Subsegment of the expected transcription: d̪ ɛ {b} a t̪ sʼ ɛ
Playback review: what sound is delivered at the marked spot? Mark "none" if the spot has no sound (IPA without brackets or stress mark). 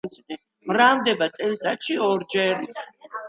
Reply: b